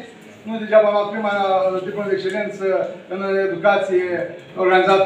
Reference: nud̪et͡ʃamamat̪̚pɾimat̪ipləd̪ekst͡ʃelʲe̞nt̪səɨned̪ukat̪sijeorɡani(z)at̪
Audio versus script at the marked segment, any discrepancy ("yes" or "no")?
no